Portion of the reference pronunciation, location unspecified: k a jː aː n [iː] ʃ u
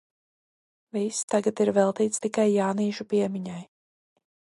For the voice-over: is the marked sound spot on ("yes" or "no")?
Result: yes